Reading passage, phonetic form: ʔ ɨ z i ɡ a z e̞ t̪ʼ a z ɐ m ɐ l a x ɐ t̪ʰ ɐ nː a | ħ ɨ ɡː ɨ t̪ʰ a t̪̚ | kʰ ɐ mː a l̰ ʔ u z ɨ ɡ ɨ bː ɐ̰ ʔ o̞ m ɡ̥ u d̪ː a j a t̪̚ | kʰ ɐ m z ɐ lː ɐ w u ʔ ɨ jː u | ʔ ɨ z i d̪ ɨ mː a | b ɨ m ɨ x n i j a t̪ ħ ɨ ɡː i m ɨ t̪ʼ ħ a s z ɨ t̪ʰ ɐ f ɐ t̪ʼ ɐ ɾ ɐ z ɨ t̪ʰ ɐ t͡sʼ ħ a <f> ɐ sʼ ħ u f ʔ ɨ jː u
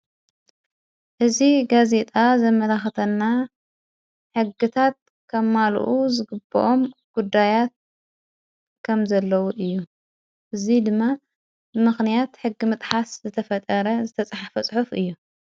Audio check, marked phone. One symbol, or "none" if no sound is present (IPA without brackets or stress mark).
f